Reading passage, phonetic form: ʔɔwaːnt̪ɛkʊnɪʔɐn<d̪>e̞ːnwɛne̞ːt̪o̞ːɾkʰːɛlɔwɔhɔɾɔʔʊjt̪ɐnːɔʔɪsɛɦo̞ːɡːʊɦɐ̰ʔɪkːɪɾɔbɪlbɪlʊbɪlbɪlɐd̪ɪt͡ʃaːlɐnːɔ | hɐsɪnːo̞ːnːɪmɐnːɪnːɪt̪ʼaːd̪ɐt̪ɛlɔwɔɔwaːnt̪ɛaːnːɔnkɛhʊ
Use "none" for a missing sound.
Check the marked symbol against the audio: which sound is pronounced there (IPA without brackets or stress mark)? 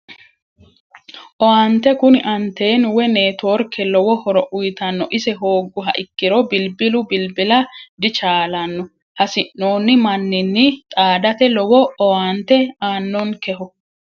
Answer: t̪